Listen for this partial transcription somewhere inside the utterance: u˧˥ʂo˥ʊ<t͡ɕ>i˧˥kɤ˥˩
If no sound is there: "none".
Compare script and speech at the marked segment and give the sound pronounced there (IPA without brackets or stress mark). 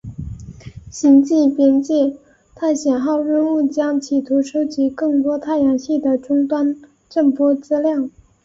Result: t͡ɕ